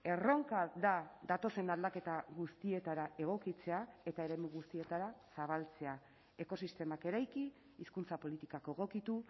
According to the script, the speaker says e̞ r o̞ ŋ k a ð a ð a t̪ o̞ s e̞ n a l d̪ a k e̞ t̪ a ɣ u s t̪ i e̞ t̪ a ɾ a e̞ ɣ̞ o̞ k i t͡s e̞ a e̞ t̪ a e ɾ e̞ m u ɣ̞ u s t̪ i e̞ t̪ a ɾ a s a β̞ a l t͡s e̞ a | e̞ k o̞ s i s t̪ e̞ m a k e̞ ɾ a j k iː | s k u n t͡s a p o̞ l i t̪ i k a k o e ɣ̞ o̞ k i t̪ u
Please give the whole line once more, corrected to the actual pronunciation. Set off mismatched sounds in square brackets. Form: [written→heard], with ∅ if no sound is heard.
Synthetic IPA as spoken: e̞ r o̞ ŋ k a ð a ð a t̪ o̞ s e̞ n a l d̪ a k e̞ t̪ a ɣ u s t̪ i e̞ t̪ a ɾ a e̞ ɣ̞ o̞ k i t͡s e̞ a e̞ t̪ a e ɾ e̞ m u ɣ̞ u s t̪ i e̞ t̪ a ɾ a s a β̞ a l t͡s e̞ a | e̞ k o̞ s i s t̪ e̞ m a k e̞ ɾ a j k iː | s k u n t͡s a p o̞ l i t̪ i k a k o e ɣ̞ o̞ k i t̪ u

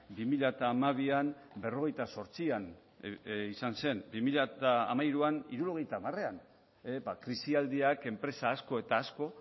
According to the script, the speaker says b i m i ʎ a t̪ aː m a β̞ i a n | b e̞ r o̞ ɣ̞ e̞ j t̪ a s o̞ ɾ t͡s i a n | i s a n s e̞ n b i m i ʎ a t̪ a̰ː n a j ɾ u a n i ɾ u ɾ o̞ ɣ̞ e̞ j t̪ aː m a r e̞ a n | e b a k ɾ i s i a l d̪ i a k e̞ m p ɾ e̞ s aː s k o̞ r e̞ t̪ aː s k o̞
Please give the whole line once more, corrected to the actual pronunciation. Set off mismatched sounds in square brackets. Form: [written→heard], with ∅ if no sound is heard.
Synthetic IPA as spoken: b i m i ʎ a t̪ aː m a β̞ i a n | b e̞ r o̞ ɣ̞ e̞ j t̪ a s o̞ ɾ t͡s i a n | i s a n s e̞ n b i m i ʎ a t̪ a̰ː [n→m] a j ɾ u a n i ɾ u ɾ o̞ ɣ̞ e̞ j t̪ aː m a r e̞ a n | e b a k ɾ i s i a l d̪ i a k e̞ m p ɾ e̞ s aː s k o̞ [r→∅] e̞ t̪ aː s k o̞

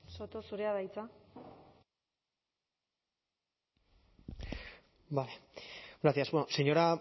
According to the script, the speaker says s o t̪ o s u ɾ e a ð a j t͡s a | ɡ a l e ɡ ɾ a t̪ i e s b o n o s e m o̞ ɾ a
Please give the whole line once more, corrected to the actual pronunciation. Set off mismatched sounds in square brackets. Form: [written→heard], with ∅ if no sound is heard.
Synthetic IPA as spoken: s o t̪ o s u ɾ e a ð a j t͡s a | [ɡ→b] a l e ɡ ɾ a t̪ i [e→a] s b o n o s e [m→ɲ] o̞ ɾ a

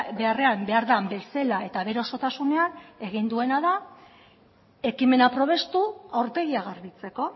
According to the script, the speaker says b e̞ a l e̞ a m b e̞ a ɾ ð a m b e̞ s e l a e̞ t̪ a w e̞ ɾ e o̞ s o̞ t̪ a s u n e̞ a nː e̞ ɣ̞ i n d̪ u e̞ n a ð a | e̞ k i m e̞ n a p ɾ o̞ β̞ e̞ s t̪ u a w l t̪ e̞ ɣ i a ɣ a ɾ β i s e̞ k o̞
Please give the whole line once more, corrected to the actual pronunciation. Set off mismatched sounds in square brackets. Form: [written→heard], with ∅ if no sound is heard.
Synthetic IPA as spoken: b e̞ a [l→r] e̞ a m b e̞ a ɾ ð a m b e̞ s e l a e̞ t̪ a [w→β] e̞ ɾ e o̞ s o̞ t̪ a s u n e̞ a [nː→n] e̞ ɣ̞ i n d̪ u e̞ n a ð a | e̞ k i m e̞ n a p ɾ o̞ β̞ e̞ s t̪ u a w [l→ɾ] t̪ e̞ ɣ i a ɣ a ɾ β i [s→t͡s] e̞ k o̞

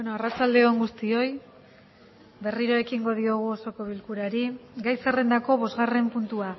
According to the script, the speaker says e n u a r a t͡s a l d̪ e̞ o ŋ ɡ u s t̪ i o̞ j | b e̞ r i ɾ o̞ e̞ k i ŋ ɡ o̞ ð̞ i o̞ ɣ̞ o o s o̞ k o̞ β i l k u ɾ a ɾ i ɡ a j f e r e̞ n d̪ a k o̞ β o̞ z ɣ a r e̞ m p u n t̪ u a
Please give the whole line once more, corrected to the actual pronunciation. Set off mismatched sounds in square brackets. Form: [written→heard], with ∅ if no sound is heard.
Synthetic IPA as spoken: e n [u→o] a r a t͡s a l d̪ e̞ o ŋ ɡ u s t̪ i o̞ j | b e̞ r i ɾ o̞ e̞ k i ŋ ɡ o̞ ð̞ i o̞ ɣ̞ [o→u] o s o̞ k o̞ β i l k u ɾ a ɾ i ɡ a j [f→s] e r e̞ n d̪ a k o̞ β o̞ z ɣ a r e̞ m p u n t̪ u a

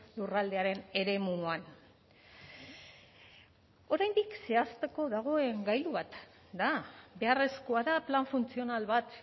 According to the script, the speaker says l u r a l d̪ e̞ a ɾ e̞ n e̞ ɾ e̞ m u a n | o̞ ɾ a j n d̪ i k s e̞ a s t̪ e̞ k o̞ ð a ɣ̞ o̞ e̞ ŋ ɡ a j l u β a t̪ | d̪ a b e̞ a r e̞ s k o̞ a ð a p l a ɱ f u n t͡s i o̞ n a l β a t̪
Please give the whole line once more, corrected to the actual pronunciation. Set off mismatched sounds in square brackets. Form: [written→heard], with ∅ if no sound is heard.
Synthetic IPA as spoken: l u r a l d̪ e̞ a ɾ e̞ n e̞ ɾ e̞ m u a n | o̞ ɾ a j n d̪ i k s e̞ a s t̪ e̞ k o̞ ð a ɣ̞ o̞ e̞ ŋ ɡ a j l u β a t̪ | d̪ a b e̞ a r e̞ s k o̞ a ð a p l a ɱ f u n t͡s i o̞ n a l β a t̪

